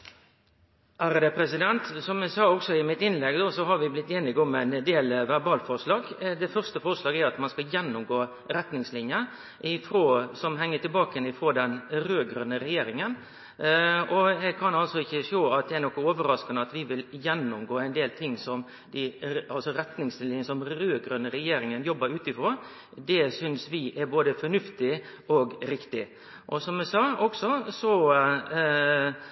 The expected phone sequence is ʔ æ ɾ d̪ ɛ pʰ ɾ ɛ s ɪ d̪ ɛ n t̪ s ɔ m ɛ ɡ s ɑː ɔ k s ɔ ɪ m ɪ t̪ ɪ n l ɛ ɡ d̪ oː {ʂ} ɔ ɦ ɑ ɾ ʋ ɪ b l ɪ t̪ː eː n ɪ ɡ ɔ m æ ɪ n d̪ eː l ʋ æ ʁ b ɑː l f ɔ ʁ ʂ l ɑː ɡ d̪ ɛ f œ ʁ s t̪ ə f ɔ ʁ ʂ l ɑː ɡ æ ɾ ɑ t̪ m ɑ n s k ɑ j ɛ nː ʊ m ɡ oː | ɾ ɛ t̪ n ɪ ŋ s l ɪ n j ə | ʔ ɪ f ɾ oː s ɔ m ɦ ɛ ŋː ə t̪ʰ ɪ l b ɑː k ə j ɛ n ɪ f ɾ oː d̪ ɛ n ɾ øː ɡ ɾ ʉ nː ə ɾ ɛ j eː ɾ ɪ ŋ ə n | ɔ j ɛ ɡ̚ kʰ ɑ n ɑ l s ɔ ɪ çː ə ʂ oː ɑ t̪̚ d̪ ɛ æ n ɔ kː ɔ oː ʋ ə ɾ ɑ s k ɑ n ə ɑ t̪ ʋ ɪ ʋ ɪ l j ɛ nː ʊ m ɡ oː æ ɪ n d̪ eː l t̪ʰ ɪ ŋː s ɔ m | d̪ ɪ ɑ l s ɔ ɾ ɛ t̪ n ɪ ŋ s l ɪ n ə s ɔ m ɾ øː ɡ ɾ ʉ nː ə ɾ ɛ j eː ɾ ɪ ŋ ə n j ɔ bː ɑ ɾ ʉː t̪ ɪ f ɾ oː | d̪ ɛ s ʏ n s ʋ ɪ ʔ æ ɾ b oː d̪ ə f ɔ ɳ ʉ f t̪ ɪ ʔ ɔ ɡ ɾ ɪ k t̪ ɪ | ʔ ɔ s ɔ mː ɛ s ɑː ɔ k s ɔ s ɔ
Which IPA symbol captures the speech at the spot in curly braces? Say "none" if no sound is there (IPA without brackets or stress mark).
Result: s